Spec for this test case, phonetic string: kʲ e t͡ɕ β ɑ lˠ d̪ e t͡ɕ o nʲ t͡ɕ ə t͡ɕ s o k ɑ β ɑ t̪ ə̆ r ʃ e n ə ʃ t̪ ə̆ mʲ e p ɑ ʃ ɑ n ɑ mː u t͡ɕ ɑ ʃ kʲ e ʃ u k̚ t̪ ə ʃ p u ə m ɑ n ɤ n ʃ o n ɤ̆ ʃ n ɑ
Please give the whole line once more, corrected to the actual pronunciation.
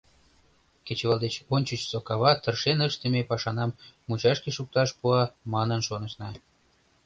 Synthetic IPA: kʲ e t͡ɕ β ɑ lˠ d̪ e t͡ɕ o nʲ t͡ɕ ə t͡ɕ s o k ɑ β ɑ t̪ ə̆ r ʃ e n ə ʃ t̪ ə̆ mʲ e p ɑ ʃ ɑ n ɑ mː u t͡ɕ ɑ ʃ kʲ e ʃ u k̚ t̪ ɑ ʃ p u ɑ m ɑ n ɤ n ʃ o n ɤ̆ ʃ n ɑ